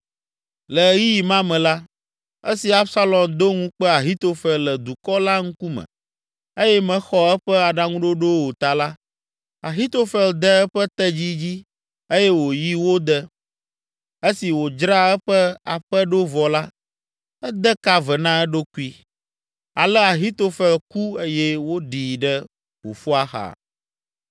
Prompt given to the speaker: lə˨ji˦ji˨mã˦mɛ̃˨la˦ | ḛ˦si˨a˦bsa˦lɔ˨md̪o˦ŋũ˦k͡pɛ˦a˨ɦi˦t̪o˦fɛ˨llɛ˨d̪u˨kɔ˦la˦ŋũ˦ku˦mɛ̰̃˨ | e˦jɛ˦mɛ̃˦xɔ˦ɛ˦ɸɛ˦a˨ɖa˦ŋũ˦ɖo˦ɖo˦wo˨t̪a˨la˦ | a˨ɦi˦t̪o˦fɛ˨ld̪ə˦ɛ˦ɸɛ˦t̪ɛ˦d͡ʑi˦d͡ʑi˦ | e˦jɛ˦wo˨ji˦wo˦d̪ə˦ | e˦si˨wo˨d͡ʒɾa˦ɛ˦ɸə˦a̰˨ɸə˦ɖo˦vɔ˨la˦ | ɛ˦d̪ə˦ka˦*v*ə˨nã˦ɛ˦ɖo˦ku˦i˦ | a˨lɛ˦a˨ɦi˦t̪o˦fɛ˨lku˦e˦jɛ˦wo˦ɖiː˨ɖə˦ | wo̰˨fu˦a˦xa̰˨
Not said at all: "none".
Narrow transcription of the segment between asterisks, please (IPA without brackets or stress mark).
v